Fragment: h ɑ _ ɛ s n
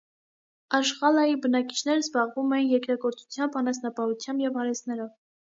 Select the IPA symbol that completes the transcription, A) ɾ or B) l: A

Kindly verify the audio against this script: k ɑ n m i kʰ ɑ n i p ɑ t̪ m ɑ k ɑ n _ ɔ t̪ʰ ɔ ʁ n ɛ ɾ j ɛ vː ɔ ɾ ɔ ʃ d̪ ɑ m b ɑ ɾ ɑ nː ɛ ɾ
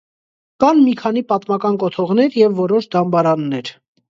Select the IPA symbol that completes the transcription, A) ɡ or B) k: B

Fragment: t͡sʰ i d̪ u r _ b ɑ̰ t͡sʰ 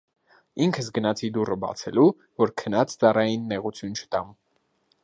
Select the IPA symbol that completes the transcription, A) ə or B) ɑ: A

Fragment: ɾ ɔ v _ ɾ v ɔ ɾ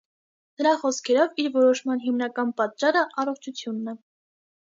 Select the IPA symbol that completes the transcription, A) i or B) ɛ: A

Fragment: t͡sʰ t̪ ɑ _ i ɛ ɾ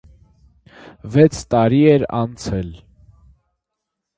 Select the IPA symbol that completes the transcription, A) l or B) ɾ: B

